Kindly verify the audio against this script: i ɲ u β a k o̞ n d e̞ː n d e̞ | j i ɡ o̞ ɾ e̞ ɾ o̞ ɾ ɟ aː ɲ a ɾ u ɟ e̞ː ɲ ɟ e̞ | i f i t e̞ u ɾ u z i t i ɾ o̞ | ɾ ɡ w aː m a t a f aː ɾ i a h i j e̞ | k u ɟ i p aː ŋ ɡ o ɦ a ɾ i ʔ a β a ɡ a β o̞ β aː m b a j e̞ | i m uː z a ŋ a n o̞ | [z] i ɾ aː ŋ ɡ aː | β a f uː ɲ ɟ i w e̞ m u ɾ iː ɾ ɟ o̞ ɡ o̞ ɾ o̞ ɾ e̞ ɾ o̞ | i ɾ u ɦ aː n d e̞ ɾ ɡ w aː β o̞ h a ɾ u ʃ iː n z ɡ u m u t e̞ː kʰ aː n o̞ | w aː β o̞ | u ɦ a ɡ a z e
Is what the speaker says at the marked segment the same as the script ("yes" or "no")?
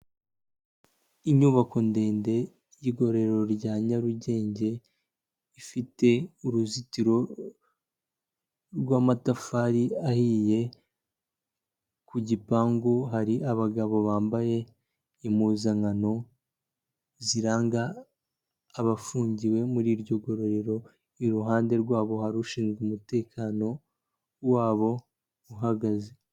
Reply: yes